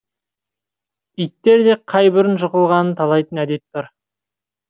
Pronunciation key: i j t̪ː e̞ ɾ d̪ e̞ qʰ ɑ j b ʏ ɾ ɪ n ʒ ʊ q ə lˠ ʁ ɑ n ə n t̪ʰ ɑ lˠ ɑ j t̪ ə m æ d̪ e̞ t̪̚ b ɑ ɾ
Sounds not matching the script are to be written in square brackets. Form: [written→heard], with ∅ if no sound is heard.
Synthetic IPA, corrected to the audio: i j t̪ː e̞ ɾ d̪ e̞ qʰ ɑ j b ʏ ɾ ɪ n ʒ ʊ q ə lˠ ʁ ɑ n ə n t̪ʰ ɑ lˠ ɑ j t̪ ə [m→n] æ d̪ e̞ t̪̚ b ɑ ɾ